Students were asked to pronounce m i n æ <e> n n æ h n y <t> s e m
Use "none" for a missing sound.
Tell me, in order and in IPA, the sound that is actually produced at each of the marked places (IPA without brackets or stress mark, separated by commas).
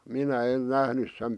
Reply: e, s